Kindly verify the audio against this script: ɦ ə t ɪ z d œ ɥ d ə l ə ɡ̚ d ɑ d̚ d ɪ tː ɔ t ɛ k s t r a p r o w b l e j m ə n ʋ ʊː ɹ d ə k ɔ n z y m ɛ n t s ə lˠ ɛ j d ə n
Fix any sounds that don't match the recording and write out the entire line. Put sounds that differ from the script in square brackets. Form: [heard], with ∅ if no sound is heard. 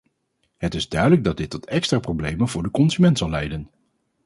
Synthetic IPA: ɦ ə t ɪ z d œ ɥ d ə l ə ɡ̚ d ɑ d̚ d ɪ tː ɔ t ɛ k s t r a p r o w b l e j m ə n [v] ʊː ɹ d ə k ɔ n z y m ɛ n t s [ɑ] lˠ ɛ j d ə n